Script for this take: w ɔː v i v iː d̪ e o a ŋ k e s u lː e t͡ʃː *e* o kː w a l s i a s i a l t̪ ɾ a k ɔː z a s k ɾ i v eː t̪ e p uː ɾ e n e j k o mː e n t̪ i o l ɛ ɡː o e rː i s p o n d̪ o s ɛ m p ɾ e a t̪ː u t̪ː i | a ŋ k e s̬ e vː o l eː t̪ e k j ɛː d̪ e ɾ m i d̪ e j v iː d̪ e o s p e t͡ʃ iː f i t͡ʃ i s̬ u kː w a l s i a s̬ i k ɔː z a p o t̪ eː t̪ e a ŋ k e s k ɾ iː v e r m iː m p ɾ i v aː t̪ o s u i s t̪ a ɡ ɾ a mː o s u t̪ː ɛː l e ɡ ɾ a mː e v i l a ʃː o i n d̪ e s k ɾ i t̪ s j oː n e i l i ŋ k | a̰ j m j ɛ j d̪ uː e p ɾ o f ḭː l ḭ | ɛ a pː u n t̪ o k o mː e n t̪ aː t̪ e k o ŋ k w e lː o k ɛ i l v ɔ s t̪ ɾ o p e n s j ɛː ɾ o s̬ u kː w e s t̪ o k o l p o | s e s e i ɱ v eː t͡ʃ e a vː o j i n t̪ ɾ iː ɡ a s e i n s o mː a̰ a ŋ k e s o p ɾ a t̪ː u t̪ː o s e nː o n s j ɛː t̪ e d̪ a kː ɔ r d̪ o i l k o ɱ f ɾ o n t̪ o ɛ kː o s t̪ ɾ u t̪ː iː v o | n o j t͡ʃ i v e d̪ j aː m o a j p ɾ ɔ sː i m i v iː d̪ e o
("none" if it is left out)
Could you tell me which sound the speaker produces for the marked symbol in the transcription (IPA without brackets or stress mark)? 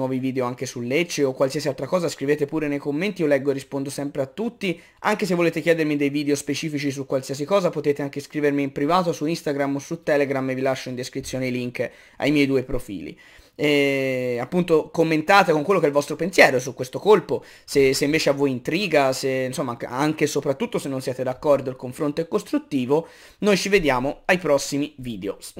e